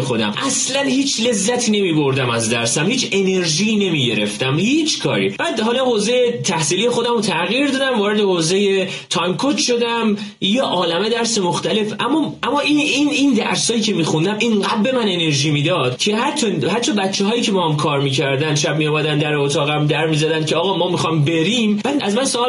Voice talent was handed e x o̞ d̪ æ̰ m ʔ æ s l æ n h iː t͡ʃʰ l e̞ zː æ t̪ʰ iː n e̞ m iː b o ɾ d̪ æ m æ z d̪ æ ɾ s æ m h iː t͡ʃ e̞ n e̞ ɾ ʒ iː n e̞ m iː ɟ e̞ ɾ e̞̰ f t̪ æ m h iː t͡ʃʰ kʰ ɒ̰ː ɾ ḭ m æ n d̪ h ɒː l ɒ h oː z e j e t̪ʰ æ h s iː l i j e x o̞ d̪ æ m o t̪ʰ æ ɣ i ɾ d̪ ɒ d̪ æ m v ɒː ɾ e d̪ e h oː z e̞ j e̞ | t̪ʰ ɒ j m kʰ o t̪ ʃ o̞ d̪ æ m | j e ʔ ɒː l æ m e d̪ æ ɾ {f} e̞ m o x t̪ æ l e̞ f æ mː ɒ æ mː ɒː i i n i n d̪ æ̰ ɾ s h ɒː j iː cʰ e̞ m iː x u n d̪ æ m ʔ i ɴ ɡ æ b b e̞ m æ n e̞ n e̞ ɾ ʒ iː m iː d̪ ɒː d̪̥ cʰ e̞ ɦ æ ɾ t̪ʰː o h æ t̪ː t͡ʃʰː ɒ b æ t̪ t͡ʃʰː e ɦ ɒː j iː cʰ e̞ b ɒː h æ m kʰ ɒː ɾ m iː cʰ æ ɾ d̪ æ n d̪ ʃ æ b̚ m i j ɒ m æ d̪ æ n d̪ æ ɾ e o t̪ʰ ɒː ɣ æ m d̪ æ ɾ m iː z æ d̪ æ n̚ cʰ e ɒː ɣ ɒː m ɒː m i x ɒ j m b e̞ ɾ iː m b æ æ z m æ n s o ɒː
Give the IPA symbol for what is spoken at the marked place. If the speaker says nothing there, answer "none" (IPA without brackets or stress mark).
s